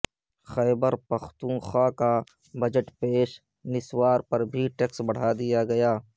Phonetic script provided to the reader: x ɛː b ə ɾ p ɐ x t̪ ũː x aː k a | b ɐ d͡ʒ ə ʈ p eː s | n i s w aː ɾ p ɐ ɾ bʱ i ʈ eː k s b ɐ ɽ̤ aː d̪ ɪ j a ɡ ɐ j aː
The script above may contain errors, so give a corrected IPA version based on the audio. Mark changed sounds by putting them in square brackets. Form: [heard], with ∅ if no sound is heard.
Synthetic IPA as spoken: x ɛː b ə ɾ p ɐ x t̪ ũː x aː k a | b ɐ d͡ʒ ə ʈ p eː [ʃ] | n [ɪ] s w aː ɾ p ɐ ɾ bʱ i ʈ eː k s b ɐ ɽ̤ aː d̪ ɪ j a ɡ ɐ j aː